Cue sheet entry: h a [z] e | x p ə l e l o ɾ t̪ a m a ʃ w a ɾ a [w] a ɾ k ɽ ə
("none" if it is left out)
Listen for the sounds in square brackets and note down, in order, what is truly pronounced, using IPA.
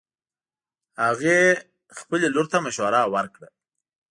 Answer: ɣ, w

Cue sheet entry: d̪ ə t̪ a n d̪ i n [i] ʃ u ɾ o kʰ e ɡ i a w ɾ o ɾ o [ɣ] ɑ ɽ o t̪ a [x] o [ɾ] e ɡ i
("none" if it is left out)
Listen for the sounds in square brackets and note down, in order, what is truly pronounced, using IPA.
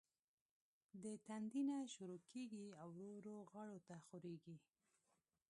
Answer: a, ɣ, x, ɾ

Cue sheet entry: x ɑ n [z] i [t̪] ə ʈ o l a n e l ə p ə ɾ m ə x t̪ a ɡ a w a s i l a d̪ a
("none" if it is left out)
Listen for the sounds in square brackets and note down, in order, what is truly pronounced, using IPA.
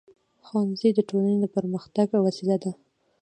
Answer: z, d̪

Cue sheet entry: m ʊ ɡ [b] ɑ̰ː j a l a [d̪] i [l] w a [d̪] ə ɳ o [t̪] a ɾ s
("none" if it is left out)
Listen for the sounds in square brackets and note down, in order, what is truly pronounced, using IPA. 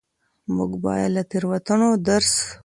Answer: b, t̪, ɾ, t̪, d̪

